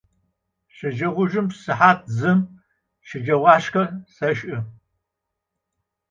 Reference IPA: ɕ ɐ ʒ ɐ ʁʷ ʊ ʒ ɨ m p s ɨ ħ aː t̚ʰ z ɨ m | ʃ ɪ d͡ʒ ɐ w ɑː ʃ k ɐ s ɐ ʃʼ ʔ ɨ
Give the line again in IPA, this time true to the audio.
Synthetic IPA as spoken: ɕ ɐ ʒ ɐ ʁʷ ʊ ʒ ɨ m p s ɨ ħ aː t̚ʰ z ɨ m | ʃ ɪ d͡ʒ ɐ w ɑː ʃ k ɐ s ɐ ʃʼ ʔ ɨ